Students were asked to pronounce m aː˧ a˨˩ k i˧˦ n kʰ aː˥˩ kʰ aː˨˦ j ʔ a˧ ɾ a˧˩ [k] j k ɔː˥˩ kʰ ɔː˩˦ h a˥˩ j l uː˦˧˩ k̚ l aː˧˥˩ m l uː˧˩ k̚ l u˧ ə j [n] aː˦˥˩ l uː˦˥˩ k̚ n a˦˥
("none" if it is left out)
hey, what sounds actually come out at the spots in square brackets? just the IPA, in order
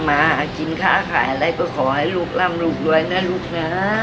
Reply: none, n

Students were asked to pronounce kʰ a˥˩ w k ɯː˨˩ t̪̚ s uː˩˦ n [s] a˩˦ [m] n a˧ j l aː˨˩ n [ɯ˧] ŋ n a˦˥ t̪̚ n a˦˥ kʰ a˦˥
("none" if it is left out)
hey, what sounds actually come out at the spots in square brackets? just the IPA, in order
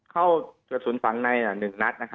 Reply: f, ŋ, ɯ˨˩

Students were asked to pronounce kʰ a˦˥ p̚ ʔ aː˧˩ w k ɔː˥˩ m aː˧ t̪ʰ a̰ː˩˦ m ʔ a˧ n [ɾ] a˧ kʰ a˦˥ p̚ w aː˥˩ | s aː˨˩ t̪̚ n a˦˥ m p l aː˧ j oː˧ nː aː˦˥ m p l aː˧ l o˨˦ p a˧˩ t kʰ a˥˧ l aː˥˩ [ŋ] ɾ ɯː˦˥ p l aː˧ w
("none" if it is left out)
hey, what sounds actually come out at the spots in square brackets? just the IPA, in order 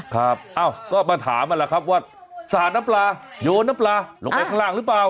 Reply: l, ŋ

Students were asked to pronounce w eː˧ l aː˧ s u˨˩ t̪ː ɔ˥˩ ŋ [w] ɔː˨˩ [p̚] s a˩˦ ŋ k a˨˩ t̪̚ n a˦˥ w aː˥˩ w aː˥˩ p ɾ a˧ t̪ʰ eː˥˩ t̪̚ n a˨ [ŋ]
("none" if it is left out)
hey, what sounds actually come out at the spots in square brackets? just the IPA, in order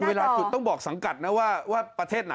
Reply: b, k̚, none

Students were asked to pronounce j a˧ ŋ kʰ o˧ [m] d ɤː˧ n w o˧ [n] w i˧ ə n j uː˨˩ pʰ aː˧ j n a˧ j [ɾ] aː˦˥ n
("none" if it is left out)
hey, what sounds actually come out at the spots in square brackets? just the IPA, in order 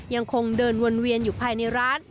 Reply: ŋ, n, ɾ

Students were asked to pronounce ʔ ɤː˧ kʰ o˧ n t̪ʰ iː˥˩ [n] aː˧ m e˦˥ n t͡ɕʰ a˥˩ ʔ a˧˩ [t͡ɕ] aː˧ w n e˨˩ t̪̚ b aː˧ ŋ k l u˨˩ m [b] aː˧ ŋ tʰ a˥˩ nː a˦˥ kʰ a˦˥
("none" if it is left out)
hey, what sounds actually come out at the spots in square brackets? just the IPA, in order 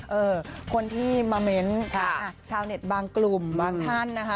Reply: m, t͡ɕʰ, b

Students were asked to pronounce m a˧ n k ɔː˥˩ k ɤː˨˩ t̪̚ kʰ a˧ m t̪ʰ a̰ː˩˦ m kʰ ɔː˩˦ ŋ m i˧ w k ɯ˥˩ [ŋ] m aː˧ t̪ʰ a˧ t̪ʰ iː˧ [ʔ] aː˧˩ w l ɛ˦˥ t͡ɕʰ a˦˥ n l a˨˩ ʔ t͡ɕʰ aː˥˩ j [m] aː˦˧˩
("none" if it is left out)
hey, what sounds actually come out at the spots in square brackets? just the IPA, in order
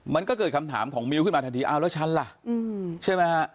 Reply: n, ʔ, m

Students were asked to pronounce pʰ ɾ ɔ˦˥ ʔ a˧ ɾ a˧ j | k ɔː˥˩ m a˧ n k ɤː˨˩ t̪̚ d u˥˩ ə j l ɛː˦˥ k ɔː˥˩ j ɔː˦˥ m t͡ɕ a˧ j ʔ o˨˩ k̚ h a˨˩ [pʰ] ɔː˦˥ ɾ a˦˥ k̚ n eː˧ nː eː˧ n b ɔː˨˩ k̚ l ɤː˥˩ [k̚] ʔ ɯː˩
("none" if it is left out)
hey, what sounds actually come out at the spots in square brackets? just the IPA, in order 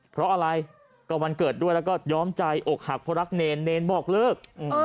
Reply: pʰ, k̚

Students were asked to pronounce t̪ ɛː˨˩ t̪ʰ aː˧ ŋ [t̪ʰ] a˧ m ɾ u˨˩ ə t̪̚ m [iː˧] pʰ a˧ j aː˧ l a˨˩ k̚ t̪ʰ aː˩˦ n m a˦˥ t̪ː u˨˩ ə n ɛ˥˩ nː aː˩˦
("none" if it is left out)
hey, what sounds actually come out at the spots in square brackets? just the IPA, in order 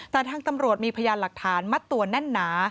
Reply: t̪, iː˧

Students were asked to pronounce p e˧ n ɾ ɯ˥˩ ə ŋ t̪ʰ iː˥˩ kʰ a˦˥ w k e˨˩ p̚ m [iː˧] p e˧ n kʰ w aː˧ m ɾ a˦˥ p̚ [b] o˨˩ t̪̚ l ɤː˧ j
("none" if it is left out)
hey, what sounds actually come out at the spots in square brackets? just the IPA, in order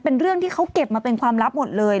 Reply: aː˧, m

